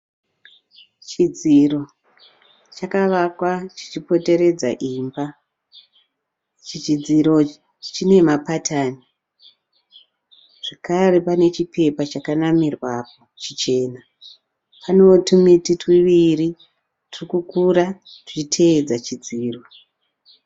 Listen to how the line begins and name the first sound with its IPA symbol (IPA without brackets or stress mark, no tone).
t͡ʃ